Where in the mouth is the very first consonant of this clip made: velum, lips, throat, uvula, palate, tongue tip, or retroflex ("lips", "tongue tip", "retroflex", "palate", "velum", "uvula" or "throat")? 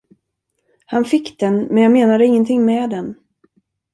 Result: throat